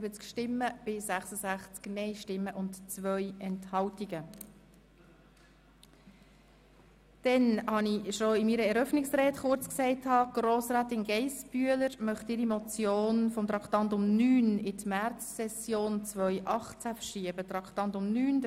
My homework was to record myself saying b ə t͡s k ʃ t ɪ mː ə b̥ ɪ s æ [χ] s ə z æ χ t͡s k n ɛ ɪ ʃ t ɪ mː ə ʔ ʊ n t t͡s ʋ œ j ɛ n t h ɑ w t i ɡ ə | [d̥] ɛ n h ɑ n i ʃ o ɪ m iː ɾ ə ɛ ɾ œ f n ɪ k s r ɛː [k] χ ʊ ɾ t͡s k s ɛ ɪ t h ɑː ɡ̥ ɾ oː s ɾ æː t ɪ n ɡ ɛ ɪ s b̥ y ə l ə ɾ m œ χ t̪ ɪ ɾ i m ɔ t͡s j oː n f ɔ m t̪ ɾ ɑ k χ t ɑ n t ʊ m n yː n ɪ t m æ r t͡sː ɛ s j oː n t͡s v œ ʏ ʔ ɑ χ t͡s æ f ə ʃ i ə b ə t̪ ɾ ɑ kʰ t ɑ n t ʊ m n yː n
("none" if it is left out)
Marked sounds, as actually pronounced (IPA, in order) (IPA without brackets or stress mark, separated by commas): χ, d̥, t